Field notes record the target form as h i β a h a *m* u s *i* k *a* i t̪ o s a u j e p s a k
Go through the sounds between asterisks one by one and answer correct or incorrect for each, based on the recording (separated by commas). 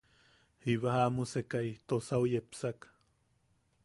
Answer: correct, incorrect, correct